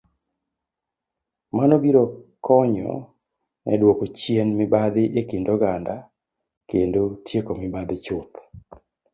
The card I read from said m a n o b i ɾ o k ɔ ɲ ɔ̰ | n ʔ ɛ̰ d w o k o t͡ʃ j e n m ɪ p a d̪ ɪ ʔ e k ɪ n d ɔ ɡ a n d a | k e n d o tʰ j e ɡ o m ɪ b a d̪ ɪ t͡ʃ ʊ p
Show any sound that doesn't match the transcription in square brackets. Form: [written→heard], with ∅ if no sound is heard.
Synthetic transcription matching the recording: m a n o b i ɾ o k ɔ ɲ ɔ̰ | n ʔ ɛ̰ d w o k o t͡ʃ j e n m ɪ [p→b] a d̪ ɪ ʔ e k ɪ n d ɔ ɡ a n d a | k e n d o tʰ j e [ɡ→k] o m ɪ b a d̪ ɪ t͡ʃ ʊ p